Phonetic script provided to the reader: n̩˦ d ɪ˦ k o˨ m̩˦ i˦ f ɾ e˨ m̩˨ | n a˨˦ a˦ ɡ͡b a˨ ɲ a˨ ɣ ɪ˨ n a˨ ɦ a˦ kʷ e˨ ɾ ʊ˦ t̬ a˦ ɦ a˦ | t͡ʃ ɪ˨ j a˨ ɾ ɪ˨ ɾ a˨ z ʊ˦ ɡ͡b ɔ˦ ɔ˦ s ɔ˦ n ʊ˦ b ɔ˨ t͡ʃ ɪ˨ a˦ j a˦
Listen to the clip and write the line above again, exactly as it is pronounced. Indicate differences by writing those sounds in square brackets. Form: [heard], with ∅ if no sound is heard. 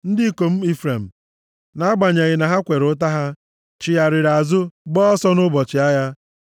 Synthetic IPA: n̩˦ d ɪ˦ k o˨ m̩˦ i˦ f ɾ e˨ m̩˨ | n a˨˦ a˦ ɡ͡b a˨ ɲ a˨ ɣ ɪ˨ n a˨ ɦ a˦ kʷ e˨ ɾ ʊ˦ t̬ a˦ ɦ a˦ | t͡ʃ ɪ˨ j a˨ ɾ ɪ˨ ɾ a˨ z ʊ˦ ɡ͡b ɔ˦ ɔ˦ s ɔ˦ n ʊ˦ b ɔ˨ t͡ʃ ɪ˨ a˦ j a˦